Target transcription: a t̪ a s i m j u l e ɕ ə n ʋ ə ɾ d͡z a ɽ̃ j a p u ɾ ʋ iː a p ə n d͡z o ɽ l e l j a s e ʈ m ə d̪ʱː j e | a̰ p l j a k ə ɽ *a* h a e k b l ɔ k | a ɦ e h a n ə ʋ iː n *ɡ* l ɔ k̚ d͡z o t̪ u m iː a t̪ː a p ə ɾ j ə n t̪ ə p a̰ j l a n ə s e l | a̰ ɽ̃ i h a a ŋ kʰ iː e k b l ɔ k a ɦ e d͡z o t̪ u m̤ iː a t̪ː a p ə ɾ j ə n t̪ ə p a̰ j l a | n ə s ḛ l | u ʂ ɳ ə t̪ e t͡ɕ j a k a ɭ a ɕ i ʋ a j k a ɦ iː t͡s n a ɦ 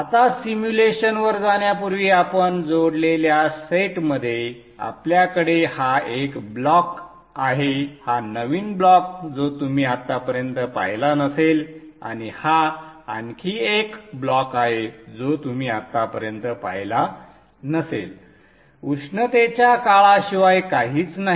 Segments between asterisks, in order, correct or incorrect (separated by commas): incorrect, incorrect